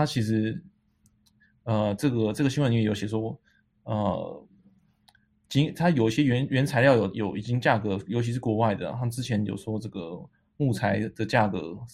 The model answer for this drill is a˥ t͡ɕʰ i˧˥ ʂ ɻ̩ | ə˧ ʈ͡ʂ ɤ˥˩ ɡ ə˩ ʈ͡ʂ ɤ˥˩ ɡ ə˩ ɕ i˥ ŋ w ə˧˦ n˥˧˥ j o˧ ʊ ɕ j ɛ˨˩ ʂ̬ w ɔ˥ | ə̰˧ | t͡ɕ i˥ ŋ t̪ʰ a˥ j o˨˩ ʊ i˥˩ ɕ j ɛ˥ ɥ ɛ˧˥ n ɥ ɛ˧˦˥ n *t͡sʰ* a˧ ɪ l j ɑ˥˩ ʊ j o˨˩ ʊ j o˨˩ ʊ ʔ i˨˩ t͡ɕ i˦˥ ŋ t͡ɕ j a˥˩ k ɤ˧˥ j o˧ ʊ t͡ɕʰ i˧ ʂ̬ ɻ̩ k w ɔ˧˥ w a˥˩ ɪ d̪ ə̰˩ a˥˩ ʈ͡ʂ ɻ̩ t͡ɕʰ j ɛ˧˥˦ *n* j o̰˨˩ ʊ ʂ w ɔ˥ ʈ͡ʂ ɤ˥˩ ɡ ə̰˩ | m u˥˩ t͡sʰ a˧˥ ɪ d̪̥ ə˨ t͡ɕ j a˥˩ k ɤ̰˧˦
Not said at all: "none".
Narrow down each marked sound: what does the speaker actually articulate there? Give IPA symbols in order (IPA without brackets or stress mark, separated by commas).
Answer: t͡sʰ, n